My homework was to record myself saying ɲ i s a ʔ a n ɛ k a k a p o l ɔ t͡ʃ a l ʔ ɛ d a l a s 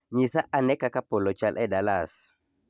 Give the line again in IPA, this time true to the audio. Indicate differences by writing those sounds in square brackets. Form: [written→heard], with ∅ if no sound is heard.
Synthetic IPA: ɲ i s a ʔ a n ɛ k a k a p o l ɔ t͡ʃ a l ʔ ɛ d a l a s